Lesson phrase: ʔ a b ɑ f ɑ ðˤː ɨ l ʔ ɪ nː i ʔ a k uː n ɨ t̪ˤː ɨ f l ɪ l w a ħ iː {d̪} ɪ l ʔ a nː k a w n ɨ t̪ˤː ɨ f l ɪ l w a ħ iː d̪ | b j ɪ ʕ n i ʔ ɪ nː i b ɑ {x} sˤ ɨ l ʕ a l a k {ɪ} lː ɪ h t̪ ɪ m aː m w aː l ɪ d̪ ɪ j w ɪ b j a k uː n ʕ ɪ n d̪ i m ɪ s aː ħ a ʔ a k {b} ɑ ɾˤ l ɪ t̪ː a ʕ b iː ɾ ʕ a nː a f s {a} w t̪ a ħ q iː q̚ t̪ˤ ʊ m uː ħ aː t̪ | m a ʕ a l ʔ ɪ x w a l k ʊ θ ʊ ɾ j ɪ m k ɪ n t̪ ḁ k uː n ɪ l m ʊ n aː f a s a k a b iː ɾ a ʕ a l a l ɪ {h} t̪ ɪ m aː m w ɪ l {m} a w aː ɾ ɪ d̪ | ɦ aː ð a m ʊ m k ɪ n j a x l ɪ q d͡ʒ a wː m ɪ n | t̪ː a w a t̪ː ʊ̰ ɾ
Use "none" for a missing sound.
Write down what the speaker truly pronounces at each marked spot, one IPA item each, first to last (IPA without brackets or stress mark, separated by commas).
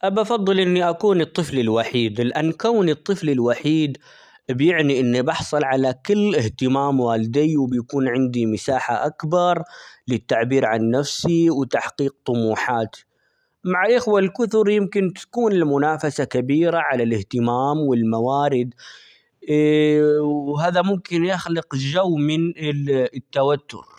d̪, ħ, ɪ, b, i, h, m